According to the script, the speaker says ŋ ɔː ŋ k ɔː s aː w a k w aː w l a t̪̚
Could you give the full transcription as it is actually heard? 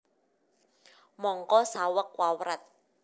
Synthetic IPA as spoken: m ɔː ŋ k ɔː s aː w a k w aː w ɾ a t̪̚